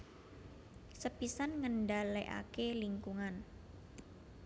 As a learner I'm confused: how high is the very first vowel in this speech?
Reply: mid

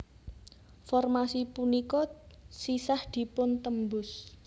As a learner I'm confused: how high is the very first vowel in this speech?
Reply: mid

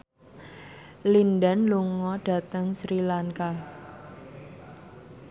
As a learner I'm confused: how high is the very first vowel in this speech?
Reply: high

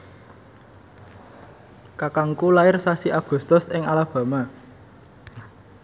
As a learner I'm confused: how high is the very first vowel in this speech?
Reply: low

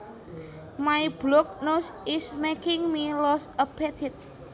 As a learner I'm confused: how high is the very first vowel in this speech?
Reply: low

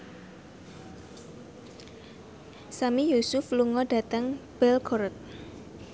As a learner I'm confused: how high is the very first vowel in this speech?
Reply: low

